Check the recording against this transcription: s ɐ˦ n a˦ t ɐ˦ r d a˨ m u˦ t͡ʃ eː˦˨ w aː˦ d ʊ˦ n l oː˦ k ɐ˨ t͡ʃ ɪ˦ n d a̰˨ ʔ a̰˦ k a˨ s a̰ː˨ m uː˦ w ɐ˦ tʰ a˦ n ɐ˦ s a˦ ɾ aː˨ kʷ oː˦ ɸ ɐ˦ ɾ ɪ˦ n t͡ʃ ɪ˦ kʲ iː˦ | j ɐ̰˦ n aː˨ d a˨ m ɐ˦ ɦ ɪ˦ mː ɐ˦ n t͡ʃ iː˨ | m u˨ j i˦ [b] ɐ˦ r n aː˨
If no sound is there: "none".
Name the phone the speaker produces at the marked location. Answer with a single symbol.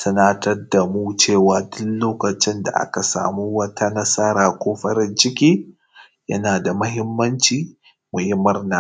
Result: m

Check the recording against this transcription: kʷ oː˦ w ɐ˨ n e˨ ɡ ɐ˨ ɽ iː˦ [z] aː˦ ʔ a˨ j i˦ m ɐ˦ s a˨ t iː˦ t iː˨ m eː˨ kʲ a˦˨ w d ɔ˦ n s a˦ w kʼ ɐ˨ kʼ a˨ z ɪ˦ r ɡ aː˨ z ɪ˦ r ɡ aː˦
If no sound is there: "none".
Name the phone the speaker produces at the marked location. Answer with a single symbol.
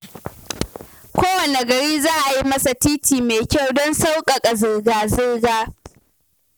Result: z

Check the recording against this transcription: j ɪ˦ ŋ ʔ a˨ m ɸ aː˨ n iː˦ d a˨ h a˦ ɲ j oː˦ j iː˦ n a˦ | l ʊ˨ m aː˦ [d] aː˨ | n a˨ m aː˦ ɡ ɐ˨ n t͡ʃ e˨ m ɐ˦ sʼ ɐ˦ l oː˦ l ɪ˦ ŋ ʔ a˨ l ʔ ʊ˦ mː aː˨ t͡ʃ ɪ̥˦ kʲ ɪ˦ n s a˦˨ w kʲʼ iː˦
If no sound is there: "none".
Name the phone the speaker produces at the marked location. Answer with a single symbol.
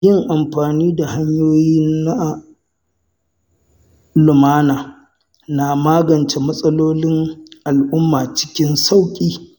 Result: n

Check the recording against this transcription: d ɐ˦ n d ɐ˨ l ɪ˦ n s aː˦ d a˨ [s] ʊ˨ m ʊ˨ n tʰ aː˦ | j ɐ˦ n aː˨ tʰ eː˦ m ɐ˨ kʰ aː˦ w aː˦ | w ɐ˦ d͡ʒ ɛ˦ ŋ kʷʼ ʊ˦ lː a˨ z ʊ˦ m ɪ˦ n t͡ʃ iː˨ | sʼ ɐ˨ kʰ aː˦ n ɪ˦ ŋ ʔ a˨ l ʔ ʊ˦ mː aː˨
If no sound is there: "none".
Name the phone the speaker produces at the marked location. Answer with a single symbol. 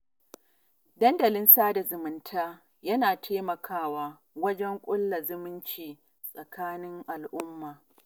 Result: z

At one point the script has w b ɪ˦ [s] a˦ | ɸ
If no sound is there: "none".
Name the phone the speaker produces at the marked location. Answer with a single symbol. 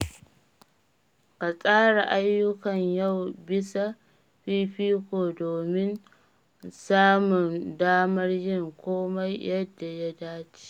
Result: s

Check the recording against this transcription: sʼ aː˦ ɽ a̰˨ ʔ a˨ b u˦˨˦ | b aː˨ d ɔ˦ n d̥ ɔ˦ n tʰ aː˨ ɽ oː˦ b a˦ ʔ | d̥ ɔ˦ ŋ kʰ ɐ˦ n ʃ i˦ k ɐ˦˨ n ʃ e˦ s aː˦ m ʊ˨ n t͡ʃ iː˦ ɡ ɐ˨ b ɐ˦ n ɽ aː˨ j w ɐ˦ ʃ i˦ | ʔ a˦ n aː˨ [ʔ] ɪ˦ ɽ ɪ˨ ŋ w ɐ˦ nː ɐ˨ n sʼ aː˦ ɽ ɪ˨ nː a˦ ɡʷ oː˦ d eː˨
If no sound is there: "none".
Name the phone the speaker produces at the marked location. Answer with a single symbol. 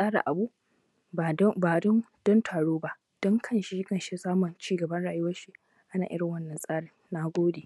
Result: ʔ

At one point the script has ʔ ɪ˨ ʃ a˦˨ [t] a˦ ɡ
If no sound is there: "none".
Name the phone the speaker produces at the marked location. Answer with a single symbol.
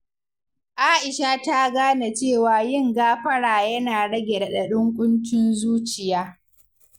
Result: t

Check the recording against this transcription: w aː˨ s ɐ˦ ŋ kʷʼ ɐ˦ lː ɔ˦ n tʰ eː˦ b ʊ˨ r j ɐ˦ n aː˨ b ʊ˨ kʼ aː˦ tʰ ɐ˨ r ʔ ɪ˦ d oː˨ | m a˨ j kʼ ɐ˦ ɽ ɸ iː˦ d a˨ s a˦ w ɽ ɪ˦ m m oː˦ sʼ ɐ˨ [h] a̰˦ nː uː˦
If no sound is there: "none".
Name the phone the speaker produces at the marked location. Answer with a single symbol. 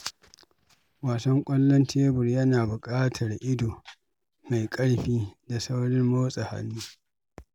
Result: h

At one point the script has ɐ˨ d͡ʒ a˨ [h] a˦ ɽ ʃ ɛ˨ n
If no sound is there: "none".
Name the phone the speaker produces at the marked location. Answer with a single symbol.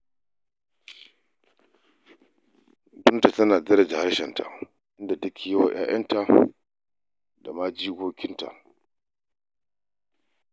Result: h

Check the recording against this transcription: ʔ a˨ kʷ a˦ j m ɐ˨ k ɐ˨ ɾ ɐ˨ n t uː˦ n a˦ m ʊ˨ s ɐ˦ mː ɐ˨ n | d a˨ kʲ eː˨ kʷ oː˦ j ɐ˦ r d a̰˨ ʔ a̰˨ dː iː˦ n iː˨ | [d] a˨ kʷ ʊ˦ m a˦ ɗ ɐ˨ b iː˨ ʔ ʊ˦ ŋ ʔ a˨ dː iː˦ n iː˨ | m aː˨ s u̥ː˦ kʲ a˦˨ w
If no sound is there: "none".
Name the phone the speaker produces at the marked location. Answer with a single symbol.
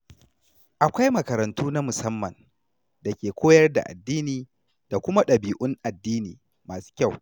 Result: d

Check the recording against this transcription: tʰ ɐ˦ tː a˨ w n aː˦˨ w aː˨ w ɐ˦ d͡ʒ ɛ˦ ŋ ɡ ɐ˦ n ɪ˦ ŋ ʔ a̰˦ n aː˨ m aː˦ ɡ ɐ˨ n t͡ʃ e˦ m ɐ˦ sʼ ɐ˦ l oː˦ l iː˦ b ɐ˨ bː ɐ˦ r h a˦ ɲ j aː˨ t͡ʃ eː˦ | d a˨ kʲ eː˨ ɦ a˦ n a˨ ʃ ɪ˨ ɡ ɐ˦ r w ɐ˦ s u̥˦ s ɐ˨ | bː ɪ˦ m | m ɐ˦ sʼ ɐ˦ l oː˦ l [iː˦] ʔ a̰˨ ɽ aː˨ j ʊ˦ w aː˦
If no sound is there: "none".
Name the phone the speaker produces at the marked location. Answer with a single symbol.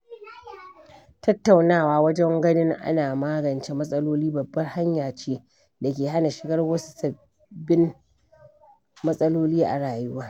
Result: iː˦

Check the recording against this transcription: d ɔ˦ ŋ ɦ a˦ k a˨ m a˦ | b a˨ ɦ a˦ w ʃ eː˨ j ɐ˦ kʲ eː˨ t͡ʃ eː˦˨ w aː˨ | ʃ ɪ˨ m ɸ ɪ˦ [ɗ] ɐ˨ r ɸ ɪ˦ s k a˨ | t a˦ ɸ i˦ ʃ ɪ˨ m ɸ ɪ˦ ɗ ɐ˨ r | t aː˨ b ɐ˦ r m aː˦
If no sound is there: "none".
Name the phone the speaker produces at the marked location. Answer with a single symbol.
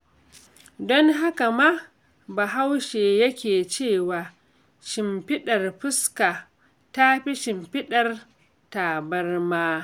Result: ɗ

